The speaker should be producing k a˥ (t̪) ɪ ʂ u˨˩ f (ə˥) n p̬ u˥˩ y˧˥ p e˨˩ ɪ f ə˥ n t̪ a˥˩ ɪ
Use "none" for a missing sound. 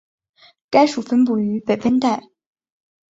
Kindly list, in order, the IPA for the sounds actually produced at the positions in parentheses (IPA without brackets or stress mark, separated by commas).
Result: none, ə˥